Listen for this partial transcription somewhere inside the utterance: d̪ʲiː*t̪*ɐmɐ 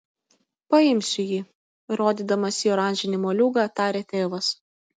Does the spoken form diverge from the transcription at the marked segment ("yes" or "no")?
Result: yes